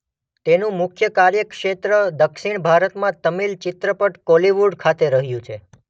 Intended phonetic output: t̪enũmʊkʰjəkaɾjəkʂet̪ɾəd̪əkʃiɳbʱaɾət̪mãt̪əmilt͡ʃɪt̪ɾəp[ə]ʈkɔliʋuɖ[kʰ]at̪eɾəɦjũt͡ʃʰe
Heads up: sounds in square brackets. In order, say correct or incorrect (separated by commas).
correct, correct